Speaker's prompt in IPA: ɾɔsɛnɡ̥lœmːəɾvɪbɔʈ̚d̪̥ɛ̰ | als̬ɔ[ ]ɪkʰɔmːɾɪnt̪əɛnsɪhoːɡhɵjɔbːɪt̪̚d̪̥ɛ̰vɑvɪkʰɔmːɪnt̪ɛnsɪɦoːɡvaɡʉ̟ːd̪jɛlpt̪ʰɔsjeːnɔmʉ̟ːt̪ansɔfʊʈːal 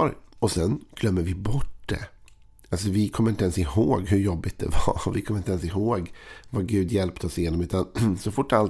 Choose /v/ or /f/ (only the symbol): v